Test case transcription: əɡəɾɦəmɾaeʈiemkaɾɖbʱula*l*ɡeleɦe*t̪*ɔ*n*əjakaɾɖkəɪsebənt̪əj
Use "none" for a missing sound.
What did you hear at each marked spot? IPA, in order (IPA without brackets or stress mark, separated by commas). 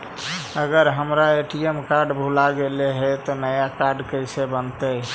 none, t̪, n